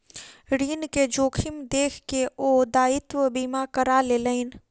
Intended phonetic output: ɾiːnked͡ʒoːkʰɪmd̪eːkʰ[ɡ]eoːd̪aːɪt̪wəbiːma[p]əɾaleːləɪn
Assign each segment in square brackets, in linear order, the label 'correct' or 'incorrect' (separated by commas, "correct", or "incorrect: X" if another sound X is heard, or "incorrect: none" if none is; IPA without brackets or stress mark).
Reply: incorrect: k, incorrect: k